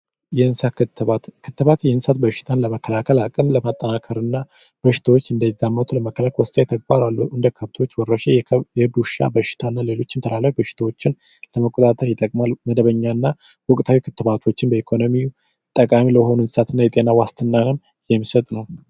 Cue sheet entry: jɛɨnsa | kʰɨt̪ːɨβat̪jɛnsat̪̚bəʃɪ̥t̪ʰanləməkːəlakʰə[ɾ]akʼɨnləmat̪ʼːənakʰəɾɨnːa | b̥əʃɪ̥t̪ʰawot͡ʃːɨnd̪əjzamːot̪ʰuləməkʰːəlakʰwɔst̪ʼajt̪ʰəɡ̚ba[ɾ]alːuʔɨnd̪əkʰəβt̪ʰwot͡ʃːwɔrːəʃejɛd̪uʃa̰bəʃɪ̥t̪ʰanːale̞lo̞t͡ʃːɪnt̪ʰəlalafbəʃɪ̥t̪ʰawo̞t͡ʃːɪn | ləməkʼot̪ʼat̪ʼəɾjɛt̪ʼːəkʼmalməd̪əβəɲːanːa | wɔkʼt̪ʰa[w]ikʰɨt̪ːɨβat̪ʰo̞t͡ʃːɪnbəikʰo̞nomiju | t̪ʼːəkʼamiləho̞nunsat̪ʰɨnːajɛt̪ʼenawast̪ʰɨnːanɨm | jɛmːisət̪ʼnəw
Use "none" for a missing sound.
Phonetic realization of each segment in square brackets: l, ɾ, w

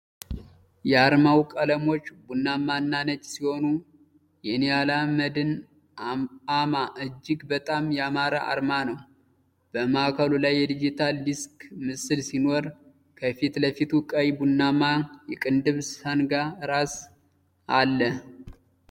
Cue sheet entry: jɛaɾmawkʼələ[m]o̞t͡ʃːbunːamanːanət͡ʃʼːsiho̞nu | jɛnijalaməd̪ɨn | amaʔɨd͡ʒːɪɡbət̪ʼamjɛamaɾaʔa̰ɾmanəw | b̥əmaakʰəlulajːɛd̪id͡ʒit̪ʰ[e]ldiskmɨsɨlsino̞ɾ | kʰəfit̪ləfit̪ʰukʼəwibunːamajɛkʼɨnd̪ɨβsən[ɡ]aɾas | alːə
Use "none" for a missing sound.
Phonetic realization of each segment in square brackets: m, a, ɡ

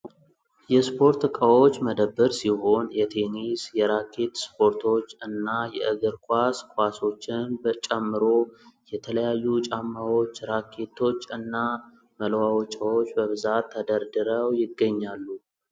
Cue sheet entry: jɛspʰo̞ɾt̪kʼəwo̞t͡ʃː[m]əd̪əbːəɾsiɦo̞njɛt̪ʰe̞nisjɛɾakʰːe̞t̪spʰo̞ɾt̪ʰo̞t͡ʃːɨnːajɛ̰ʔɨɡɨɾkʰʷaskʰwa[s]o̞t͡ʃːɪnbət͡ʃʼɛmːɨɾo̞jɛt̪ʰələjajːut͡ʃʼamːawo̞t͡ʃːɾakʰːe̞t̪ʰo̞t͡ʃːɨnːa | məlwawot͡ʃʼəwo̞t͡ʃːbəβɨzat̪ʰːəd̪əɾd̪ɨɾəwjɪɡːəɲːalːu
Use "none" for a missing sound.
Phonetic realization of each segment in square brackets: m, s

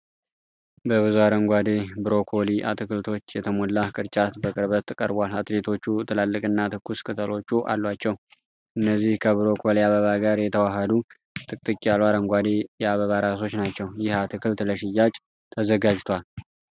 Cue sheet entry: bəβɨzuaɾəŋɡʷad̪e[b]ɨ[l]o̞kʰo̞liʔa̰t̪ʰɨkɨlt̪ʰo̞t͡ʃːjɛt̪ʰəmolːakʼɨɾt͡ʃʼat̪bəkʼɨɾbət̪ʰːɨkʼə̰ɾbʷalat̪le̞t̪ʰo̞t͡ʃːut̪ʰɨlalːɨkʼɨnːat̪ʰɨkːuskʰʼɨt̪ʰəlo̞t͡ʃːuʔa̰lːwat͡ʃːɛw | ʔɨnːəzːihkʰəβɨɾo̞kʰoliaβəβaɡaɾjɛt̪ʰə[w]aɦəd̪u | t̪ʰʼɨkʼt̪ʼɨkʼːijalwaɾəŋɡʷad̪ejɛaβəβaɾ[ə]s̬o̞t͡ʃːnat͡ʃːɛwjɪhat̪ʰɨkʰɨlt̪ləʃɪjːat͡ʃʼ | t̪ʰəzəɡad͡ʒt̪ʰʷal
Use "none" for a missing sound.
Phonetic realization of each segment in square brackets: b, ɾ, w, a

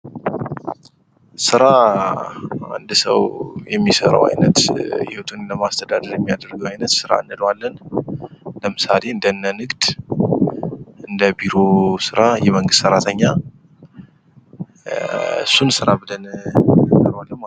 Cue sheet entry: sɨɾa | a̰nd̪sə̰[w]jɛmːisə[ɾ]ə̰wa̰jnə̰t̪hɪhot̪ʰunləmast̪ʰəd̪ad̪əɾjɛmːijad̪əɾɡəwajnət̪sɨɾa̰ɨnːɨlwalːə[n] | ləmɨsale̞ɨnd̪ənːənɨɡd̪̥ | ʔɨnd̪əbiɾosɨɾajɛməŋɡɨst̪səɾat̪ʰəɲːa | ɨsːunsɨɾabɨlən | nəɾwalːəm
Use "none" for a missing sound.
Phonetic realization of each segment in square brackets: w, ɾ, n

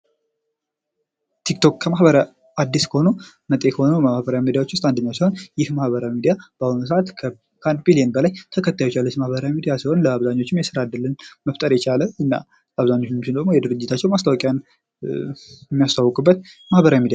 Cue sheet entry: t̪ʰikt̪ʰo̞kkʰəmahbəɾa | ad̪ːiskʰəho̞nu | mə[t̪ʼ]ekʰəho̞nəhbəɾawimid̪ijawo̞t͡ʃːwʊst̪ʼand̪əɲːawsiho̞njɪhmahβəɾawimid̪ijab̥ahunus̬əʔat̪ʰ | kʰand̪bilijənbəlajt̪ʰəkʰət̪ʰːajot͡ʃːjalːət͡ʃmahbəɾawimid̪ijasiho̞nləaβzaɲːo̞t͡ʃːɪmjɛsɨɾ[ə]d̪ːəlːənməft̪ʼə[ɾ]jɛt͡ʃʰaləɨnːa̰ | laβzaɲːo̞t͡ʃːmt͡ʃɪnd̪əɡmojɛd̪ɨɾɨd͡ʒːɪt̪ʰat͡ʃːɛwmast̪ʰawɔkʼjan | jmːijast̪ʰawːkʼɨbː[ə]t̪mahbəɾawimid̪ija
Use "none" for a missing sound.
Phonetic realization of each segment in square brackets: t̪ʼ, a, ɾ, ə

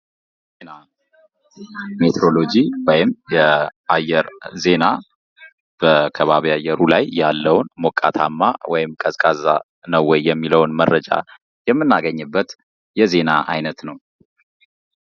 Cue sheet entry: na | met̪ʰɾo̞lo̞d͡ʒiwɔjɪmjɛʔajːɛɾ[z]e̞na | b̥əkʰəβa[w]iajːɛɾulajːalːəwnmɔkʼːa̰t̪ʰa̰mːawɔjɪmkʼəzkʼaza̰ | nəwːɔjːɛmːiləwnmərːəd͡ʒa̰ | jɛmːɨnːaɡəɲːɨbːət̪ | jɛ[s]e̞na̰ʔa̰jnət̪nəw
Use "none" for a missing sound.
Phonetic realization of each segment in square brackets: z, β, z

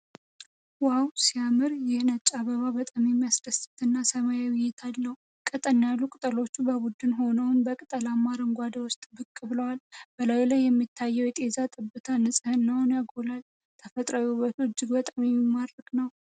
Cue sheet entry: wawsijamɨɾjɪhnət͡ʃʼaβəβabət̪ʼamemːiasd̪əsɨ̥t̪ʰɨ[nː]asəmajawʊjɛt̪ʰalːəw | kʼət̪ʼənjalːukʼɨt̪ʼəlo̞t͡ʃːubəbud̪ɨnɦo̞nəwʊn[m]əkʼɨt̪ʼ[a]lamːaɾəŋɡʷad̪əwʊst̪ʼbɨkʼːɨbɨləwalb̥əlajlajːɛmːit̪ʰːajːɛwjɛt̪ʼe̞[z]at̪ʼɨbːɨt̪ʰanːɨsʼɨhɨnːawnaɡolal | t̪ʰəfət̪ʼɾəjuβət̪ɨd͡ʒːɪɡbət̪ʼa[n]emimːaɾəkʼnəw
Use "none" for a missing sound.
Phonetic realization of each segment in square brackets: nː, b, ə, z, m

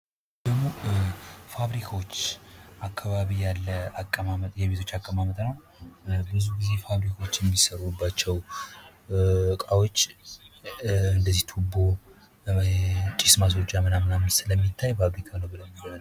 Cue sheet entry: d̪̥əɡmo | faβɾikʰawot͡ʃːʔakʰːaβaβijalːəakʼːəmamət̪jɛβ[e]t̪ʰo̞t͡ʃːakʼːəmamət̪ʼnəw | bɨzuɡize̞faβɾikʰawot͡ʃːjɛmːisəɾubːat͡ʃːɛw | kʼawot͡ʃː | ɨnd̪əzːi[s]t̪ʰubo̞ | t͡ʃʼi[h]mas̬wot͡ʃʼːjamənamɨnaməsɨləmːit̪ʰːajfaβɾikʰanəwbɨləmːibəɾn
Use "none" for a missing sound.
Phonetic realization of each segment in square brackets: e, h, s

